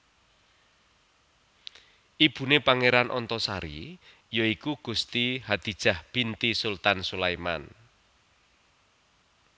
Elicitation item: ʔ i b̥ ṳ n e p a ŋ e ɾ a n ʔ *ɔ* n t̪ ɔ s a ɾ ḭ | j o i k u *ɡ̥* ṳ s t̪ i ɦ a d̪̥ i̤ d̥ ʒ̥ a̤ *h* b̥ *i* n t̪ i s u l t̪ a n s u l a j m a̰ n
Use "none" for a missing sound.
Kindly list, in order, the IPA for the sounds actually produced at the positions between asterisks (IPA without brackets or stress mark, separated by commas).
ɔ, ɡ̥, h, i